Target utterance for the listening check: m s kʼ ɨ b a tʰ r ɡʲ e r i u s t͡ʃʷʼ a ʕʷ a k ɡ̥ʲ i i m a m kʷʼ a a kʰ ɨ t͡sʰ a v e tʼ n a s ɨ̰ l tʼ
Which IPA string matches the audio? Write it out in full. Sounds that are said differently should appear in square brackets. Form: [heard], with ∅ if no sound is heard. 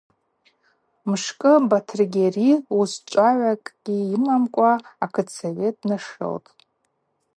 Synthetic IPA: m [ʂ] kʼ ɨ b a tʰ r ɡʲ e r i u s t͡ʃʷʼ a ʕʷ a [kʼ] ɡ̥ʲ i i m a m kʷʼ a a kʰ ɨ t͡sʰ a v e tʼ n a [ʂ] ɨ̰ l tʼ